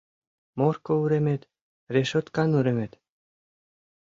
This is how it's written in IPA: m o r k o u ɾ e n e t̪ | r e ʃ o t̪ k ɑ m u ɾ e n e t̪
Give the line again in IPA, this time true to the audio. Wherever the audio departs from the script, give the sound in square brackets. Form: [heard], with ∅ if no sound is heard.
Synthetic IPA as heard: m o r k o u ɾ e [m] e t̪ | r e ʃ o t̪ k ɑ [n] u ɾ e [m] e t̪